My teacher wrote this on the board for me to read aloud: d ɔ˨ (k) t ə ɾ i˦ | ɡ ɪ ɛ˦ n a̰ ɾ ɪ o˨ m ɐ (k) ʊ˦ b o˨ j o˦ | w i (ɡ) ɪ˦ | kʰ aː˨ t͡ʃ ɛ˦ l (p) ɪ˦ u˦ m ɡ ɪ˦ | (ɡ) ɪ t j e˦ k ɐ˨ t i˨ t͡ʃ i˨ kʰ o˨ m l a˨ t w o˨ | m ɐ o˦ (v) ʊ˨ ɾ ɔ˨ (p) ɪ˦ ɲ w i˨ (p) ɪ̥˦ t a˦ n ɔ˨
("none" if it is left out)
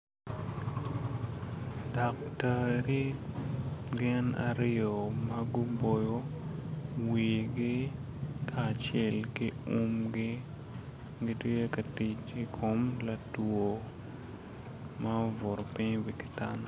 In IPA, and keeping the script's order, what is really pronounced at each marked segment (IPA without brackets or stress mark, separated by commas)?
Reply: k, ɡ, ɡ, k, ɡ, v, p, k